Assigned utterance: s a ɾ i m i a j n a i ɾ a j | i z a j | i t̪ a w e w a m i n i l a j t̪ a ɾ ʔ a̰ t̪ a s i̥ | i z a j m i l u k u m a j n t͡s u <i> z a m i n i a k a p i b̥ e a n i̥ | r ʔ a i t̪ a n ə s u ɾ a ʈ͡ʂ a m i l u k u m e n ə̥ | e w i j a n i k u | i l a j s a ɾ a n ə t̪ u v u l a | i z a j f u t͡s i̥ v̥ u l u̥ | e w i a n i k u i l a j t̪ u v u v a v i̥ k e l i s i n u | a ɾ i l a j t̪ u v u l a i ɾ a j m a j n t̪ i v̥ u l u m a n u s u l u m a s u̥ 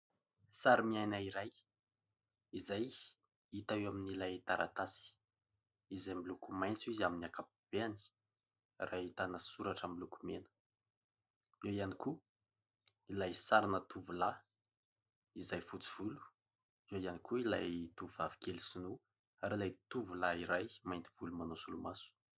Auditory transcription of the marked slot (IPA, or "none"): i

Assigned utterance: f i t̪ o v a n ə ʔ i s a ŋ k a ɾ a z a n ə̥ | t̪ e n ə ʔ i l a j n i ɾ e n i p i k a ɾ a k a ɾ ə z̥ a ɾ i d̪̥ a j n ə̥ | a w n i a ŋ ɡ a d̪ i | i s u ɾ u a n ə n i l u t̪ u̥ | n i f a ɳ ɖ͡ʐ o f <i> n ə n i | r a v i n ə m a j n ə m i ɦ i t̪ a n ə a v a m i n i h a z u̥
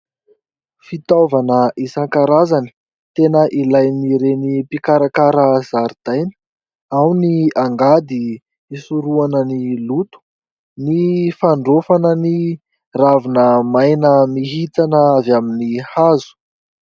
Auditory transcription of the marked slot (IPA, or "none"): a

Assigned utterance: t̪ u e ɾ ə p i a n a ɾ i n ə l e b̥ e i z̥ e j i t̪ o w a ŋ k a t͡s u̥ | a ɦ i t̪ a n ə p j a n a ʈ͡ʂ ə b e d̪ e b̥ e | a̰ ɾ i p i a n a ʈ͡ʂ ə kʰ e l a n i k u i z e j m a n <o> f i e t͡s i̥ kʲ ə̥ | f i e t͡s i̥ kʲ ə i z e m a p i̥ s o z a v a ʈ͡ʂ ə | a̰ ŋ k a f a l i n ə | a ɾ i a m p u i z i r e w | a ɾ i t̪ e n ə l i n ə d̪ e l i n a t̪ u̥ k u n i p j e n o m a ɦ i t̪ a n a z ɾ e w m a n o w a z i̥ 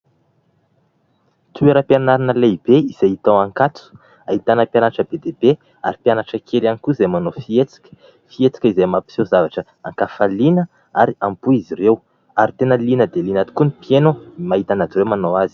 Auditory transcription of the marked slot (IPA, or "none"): o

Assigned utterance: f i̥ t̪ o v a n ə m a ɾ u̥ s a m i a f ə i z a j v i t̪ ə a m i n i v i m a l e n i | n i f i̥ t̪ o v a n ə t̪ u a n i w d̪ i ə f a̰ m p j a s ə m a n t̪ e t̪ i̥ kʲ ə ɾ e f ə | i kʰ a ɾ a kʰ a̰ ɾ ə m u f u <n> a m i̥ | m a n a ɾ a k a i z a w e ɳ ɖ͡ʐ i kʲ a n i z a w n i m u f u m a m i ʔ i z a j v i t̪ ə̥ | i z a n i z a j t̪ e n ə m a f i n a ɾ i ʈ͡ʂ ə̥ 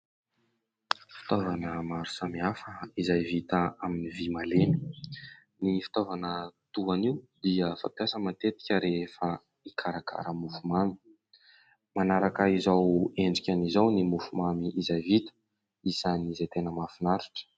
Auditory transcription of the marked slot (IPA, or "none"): m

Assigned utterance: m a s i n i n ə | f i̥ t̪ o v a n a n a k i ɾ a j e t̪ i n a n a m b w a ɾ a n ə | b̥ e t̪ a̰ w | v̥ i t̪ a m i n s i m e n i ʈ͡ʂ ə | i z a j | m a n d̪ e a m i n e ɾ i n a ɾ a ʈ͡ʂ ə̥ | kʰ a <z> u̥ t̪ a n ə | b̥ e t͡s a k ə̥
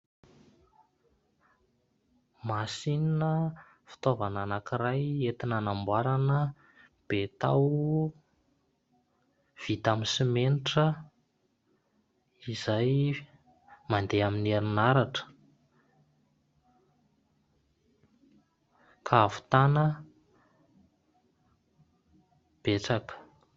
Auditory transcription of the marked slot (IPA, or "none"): v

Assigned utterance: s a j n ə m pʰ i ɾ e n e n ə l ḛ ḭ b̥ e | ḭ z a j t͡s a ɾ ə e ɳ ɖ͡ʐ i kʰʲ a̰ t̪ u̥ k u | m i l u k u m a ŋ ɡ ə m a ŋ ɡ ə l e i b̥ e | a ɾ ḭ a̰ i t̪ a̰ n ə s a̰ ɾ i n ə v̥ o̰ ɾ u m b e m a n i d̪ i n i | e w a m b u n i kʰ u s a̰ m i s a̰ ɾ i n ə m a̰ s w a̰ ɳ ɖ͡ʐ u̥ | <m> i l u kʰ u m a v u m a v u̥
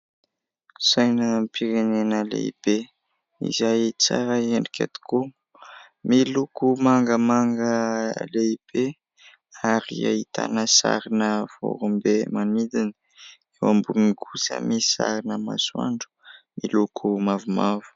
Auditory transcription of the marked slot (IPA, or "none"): m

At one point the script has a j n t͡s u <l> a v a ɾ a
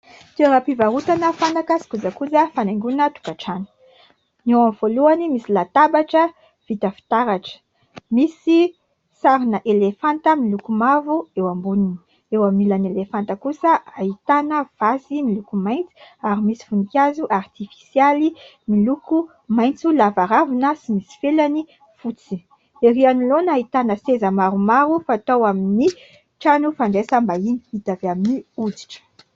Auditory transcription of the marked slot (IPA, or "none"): l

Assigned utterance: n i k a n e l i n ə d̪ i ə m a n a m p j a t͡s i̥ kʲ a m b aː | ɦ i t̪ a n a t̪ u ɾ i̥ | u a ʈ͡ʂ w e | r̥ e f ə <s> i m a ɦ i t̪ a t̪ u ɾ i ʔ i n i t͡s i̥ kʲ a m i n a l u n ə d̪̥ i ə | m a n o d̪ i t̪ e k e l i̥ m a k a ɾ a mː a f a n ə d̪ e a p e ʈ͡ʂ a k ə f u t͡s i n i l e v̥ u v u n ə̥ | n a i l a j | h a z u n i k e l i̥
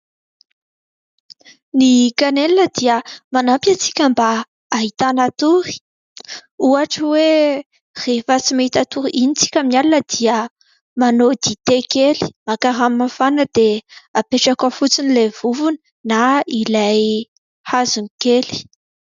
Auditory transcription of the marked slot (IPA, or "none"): t͡s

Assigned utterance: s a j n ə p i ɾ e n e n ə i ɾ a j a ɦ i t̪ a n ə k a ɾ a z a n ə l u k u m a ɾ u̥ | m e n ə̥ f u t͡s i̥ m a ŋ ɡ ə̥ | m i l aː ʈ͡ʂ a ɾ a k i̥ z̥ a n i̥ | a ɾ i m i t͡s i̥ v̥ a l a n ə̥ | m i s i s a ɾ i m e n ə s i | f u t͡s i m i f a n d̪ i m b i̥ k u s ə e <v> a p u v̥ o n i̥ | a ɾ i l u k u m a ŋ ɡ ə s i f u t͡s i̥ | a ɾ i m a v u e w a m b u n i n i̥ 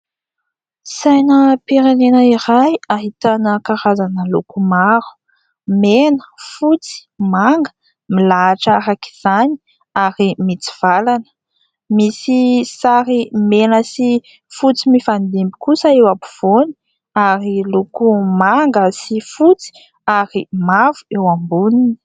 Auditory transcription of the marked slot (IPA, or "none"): w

